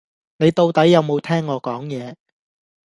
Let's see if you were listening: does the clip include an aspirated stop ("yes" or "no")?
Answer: yes